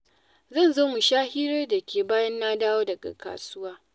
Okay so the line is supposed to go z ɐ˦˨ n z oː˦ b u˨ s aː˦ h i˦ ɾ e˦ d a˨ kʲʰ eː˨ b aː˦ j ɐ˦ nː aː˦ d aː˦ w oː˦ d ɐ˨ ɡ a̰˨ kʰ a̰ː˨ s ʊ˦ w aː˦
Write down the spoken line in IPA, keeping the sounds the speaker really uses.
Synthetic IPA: z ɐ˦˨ n z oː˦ m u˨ ʃ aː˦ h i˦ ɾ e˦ d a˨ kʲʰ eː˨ b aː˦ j ɐ˦ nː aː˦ d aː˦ w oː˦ d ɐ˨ ɡ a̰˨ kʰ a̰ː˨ s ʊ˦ w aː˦